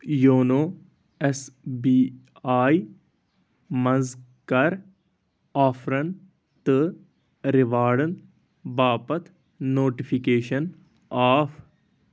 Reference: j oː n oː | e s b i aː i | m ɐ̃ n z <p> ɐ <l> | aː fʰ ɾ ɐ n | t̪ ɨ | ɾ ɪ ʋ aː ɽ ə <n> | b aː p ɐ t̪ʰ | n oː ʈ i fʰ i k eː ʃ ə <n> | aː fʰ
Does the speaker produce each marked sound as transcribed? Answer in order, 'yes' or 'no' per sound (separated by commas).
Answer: no, no, yes, yes